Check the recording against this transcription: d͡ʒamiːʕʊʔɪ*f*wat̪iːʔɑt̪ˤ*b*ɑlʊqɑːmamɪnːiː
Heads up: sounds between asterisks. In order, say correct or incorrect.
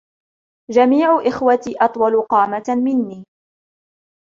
incorrect, incorrect

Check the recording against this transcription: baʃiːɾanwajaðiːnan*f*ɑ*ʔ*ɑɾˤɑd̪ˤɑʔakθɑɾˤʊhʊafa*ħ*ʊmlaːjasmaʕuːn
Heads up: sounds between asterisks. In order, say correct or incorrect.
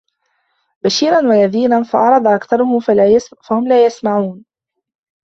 correct, correct, incorrect

